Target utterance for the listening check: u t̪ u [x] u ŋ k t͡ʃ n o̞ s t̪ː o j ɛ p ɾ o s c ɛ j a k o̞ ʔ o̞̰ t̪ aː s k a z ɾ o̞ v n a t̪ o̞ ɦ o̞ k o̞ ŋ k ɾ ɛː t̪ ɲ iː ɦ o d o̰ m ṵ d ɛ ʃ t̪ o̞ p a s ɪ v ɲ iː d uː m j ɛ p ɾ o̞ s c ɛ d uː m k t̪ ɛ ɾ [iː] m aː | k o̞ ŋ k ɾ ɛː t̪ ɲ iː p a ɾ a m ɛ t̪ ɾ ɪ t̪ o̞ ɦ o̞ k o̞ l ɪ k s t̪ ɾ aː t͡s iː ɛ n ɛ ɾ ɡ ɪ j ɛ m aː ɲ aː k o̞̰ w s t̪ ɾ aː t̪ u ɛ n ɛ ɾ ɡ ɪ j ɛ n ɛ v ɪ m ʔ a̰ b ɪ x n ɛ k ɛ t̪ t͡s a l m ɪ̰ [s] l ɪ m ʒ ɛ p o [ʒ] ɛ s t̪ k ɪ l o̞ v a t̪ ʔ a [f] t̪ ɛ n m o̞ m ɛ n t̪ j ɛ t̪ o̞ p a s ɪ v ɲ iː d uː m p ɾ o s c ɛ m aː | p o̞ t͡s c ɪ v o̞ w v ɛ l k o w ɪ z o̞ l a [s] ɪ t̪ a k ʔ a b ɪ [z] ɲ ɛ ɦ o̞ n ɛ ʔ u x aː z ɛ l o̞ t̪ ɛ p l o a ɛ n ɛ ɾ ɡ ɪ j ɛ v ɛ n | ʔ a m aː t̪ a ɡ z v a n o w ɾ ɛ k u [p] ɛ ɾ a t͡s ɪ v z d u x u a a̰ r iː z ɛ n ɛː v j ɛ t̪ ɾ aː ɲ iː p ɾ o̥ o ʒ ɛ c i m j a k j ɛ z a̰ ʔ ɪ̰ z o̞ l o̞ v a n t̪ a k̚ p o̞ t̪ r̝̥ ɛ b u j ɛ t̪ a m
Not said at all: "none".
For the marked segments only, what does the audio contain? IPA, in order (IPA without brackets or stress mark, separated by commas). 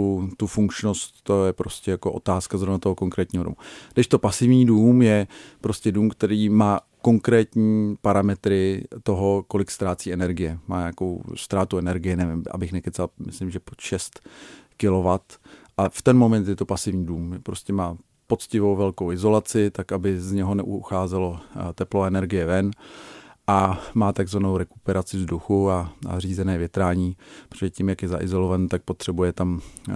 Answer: f, iː, s, ʃ, f, t͡s, z, p